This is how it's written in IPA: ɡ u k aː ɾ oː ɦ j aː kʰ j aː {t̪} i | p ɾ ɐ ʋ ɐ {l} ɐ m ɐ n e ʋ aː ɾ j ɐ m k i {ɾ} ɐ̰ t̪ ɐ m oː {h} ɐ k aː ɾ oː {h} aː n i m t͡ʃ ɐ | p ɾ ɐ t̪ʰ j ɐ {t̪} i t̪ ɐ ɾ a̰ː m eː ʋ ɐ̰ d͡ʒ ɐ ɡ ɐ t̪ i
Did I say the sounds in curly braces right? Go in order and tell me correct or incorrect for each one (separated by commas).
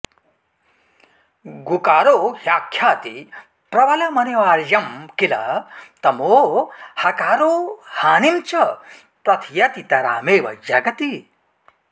correct, correct, incorrect, correct, correct, correct